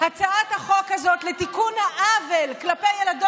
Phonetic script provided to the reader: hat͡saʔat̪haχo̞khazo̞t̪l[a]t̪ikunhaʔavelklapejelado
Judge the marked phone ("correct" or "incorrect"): incorrect